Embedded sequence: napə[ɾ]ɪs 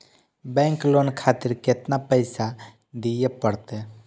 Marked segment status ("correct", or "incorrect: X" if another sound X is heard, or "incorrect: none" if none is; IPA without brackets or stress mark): incorrect: none